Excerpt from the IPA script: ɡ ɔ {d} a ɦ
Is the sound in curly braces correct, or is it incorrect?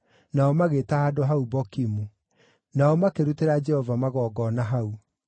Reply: incorrect: n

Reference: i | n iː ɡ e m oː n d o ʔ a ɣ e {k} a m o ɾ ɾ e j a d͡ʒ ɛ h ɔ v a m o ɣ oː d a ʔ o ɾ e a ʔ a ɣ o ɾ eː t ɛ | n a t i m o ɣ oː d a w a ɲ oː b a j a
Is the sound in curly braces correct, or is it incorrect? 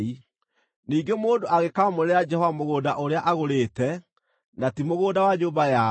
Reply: correct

